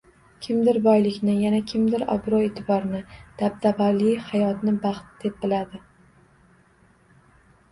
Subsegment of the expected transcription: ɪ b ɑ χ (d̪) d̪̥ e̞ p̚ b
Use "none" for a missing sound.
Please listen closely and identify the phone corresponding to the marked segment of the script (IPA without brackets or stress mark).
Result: t̪